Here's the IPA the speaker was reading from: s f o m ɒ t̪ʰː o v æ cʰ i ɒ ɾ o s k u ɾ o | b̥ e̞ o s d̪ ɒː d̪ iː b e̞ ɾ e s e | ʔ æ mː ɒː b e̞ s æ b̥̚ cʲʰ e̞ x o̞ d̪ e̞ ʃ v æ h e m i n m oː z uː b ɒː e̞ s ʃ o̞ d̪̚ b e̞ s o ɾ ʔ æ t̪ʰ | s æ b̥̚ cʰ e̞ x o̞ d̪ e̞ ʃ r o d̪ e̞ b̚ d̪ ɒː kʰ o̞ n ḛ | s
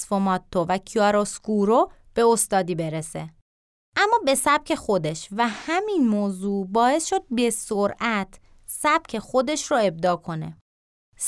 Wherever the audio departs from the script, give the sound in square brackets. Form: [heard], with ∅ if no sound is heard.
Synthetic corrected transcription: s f o m ɒ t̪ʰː o v æ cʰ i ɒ ɾ o s k u ɾ o | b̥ e̞ o s [t̪] ɒː d̪ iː b e̞ ɾ e s e | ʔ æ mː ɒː b e̞ s æ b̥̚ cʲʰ e̞ x o̞ d̪ e̞ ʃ v æ h [æ] m i n m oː z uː b ɒː e̞ s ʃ o̞ d̪̚ b e̞ s o ɾ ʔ æ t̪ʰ | s æ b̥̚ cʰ e̞ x o̞ d̪ e̞ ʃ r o [∅] e̞ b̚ d̪ ɒː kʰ o̞ n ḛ | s